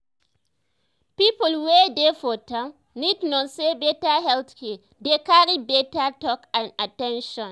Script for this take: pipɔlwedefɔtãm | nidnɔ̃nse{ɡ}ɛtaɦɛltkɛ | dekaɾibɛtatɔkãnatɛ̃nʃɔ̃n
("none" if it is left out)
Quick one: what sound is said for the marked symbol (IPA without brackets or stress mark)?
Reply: b